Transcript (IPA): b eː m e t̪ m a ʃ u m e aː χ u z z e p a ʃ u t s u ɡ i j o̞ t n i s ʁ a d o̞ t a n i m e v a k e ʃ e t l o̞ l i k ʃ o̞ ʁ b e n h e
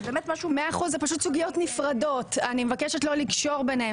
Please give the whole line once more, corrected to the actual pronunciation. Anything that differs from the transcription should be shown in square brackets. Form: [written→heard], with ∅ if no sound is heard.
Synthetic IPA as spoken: b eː m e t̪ m a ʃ u m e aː χ u z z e p a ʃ u t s u ɡ i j o̞ t n i [s→f] ʁ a d o̞ t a n i m e v a k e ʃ e t l o̞ l i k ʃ o̞ ʁ b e n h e